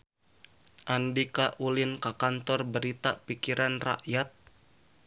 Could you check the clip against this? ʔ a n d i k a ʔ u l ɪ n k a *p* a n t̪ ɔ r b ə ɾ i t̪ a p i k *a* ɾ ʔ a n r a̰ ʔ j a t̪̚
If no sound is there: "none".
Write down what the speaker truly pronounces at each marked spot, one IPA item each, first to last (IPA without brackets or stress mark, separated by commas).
k, i